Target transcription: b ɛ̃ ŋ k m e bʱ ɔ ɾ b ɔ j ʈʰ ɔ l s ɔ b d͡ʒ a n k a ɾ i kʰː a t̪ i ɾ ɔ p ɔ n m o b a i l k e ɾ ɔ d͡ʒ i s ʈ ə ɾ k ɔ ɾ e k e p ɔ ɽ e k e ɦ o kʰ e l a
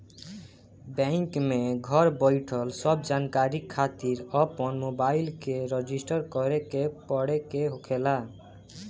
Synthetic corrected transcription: b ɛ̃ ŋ k m e ɡʱ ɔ ɾ b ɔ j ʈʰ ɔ l s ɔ b d͡ʒ a n k a ɾ i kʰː a t̪ i ɾ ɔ p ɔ n m o b a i l k e ɾ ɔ d͡ʒ i s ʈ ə ɾ k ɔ ɾ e k e p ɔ ɽ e k e ɦ o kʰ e l a